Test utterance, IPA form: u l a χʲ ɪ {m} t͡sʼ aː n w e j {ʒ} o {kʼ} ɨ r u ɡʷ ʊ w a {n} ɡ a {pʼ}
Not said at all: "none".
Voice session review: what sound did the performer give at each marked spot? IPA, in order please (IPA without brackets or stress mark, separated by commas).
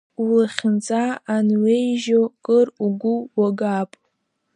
n, ʒ, kʼ, none, pʼ